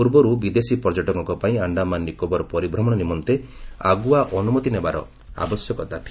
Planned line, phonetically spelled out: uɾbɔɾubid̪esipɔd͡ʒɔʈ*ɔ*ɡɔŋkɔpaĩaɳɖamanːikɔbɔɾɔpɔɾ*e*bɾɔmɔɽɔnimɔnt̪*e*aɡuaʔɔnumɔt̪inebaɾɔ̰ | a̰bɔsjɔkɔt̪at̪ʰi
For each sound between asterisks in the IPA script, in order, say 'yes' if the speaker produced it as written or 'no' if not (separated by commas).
yes, no, yes